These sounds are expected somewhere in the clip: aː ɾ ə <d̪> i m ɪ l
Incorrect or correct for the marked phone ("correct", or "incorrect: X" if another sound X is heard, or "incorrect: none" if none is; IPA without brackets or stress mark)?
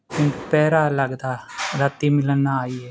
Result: incorrect: t̪